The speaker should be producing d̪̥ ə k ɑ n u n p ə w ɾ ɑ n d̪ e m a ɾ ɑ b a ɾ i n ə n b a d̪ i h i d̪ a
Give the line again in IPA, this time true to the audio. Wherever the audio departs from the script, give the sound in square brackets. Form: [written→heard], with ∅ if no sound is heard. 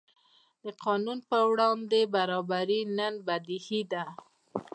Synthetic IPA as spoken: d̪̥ ə [k→q] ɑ n u n p ə w [ɾ→ɽ] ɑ n d̪ e [m→b] a ɾ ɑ b a ɾ i n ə n b a d̪ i h i d̪ a